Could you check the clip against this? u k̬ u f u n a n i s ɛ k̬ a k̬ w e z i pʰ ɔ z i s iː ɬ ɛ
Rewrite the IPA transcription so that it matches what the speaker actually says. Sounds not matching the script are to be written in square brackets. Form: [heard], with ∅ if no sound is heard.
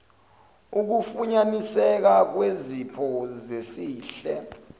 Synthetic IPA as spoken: u k̬ u f u [ɲ] a n i s ɛ k̬ a k̬ w e z i pʰ ɔ z [e] s iː ɬ ɛ